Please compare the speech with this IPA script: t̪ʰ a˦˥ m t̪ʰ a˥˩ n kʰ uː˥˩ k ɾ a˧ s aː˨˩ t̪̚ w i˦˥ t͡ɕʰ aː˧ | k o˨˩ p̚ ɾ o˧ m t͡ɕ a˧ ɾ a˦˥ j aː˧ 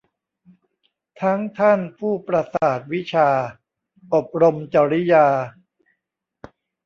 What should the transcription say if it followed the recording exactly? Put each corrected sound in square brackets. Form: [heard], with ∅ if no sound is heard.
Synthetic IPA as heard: t̪ʰ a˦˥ [ŋ] t̪ʰ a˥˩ n [pʰ] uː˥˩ [p] ɾ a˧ s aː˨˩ t̪̚ w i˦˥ t͡ɕʰ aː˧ | [ʔ] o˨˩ p̚ ɾ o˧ m t͡ɕ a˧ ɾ [i˦˥] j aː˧